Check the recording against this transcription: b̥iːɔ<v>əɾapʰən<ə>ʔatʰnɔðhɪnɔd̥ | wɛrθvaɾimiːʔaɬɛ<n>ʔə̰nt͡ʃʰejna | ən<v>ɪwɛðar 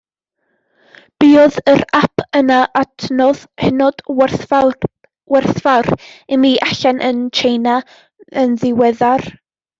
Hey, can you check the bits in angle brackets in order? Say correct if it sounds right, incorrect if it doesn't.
incorrect: ð, incorrect: a, correct, incorrect: ð

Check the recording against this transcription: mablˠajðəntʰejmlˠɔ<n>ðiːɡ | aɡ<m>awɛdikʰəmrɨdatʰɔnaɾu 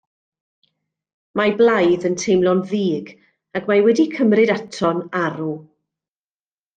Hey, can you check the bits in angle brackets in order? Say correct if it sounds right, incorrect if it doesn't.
correct, correct

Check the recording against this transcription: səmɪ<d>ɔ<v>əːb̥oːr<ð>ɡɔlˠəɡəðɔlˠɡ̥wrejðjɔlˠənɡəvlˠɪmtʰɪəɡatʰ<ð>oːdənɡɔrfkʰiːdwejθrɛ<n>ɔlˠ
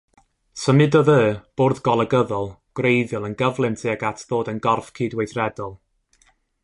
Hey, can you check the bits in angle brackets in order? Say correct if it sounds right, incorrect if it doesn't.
correct, incorrect: ð, correct, correct, incorrect: d

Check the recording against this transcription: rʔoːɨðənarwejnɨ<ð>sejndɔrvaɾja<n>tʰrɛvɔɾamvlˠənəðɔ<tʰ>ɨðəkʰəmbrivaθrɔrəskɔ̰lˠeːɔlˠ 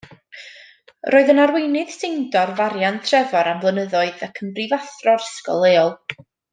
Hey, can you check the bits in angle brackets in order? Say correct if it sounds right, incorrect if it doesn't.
correct, correct, incorrect: none

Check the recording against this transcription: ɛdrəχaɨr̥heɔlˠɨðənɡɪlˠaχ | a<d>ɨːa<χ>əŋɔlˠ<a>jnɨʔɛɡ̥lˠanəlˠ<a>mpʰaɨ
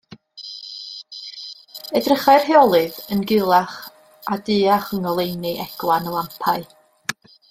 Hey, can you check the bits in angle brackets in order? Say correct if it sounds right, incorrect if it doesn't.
correct, correct, incorrect: e, correct

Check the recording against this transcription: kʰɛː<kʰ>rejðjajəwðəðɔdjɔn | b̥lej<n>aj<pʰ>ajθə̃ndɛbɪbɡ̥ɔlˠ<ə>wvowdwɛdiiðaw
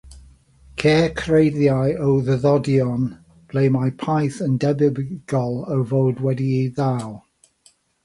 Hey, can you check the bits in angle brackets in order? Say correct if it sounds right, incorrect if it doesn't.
correct, incorrect: m, correct, correct

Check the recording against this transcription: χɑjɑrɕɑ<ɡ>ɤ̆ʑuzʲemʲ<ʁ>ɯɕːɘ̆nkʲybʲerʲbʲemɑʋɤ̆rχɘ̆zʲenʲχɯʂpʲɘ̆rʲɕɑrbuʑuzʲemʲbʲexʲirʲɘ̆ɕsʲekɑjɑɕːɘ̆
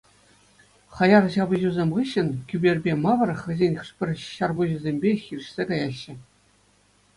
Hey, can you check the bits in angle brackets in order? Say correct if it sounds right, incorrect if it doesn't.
incorrect: b, correct

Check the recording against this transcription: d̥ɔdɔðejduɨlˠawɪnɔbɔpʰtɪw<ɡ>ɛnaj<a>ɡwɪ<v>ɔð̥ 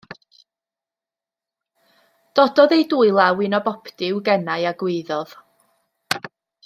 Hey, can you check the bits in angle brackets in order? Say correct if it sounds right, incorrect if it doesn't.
correct, correct, incorrect: ð

